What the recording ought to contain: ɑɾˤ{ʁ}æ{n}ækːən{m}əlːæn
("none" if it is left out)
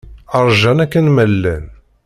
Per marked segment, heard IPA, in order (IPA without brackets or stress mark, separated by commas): ʒ, n, m